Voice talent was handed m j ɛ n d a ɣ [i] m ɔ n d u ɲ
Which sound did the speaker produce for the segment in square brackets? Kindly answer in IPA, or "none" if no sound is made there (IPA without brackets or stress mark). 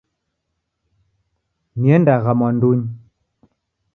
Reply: a